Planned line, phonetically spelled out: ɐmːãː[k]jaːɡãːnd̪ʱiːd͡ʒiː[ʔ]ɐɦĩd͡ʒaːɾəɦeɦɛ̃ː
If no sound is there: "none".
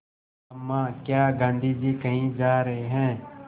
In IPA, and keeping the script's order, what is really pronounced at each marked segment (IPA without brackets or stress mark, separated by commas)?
k, k